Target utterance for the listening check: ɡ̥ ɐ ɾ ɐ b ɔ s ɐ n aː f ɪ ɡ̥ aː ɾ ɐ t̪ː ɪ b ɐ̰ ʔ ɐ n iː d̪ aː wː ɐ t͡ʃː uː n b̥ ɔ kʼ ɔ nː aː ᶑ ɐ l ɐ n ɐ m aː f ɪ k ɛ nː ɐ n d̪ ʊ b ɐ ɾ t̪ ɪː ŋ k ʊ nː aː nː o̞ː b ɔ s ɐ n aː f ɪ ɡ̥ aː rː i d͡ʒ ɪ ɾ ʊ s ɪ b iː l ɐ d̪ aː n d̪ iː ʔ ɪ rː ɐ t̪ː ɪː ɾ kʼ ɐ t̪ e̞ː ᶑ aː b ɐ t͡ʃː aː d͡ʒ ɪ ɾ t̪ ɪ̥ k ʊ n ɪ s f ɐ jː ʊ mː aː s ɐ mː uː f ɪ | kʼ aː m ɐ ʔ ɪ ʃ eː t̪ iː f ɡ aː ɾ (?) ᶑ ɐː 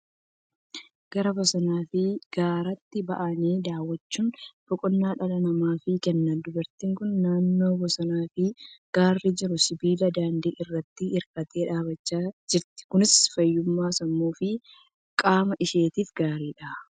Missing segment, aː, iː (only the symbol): iː